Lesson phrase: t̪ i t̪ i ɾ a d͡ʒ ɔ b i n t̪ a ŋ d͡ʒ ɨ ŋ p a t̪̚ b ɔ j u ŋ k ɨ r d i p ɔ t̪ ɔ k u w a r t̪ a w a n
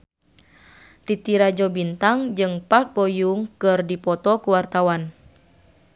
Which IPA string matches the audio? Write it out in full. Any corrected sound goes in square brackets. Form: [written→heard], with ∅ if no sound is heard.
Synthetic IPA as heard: t̪ i t̪ i ɾ a d͡ʒ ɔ b i n t̪ a ŋ d͡ʒ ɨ ŋ p a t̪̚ b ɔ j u ŋ k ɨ r d i p ɔ t̪ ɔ k u w a r t̪ a w a n